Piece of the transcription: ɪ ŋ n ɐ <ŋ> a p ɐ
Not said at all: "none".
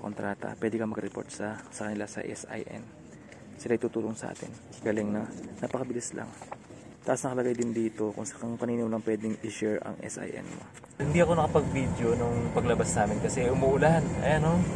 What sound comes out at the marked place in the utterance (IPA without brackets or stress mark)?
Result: n